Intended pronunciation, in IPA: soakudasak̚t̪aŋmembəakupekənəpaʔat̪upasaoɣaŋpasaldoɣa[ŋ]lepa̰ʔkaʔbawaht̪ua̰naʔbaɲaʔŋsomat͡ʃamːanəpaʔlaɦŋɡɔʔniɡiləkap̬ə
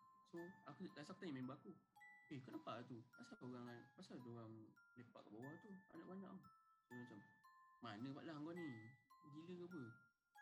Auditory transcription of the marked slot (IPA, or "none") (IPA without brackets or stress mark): ŋ